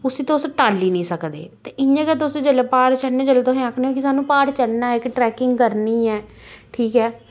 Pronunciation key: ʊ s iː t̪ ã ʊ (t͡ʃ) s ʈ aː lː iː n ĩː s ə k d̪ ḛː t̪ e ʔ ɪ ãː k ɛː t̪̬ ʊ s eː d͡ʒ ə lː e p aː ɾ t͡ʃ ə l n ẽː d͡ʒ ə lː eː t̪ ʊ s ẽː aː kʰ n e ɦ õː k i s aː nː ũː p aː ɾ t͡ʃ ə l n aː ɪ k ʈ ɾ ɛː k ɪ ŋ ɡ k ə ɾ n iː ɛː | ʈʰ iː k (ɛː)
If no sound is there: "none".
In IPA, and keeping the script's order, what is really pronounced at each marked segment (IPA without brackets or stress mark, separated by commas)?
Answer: none, ɛː